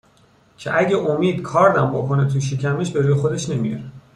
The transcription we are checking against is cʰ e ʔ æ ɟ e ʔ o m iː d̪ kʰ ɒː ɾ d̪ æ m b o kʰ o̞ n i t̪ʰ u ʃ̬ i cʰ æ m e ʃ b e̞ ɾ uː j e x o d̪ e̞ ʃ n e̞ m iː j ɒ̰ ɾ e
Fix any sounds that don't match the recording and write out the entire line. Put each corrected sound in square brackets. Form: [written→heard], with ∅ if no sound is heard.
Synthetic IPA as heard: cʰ e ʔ æ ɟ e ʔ o m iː d̪ kʰ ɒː ɾ d̪ æ m b o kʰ o̞ n [i→e] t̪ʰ u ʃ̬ i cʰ æ m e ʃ b e̞ ɾ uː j e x o d̪ e̞ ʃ n e̞ m [iː→i] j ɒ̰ ɾ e